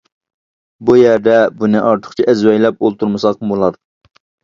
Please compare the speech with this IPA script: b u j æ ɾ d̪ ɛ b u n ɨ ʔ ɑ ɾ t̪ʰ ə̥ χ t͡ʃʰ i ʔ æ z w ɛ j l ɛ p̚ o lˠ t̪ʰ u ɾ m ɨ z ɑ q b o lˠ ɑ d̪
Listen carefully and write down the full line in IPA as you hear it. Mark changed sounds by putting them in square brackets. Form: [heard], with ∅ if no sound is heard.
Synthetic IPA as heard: b u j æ ɾ d̪ ɛ b u n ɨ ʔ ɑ ɾ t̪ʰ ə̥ χ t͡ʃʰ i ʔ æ z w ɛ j l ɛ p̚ o lˠ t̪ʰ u ɾ m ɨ [s] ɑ q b o lˠ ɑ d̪